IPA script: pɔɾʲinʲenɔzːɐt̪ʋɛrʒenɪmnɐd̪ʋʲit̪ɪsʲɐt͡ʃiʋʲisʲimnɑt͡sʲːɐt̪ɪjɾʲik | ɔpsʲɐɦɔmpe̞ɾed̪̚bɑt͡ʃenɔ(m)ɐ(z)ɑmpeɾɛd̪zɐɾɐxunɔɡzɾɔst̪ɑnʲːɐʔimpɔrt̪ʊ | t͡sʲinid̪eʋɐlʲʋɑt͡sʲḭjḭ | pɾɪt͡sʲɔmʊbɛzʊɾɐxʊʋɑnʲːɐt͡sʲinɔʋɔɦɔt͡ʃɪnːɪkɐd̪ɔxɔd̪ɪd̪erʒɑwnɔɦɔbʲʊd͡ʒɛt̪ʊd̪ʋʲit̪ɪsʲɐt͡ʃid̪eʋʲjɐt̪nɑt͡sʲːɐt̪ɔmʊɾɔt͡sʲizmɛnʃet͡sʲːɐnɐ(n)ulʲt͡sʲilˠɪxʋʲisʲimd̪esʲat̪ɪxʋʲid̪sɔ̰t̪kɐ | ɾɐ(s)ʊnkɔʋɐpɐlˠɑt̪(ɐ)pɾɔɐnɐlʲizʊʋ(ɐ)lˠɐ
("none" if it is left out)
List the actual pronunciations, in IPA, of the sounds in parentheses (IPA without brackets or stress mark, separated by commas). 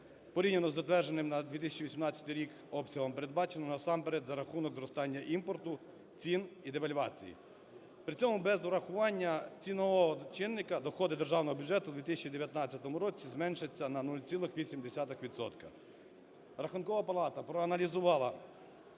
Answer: n, s, n, x, ɐ, ɑ